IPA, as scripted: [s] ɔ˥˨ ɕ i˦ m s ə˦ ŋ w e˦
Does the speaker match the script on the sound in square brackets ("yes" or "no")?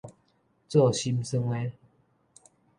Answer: no